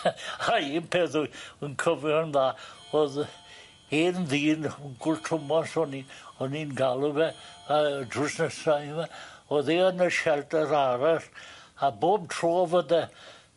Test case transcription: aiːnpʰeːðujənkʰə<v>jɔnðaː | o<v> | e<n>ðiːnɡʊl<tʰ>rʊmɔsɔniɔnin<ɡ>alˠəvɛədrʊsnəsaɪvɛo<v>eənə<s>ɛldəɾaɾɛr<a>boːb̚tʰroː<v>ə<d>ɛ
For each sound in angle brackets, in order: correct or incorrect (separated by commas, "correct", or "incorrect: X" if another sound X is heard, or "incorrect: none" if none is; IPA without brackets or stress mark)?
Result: correct, incorrect: ð, correct, correct, correct, incorrect: ð, incorrect: ʃ, correct, correct, correct